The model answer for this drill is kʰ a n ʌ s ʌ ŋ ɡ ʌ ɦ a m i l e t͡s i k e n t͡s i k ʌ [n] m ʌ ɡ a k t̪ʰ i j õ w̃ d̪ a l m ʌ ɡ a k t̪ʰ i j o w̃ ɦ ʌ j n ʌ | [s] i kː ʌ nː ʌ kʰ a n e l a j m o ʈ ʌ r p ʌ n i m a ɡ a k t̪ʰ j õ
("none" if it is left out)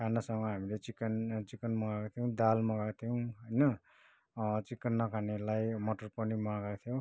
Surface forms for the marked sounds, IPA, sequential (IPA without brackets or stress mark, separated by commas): n, t͡s